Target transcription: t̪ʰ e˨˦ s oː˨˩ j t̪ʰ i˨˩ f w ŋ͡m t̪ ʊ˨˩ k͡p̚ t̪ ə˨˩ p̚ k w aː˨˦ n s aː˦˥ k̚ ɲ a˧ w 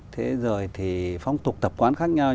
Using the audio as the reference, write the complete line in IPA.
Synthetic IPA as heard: t̪ʰ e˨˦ z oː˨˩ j t̪ʰ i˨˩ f w ŋ͡m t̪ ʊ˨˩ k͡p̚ t̪ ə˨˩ p̚ k w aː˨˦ n x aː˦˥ k̚ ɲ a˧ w